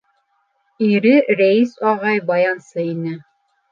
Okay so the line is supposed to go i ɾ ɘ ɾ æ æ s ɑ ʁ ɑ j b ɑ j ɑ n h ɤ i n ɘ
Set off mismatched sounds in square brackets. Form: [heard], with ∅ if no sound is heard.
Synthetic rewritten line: i ɾ ɘ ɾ æ [i] s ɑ ʁ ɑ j b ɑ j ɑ n [s] ɤ i n ɘ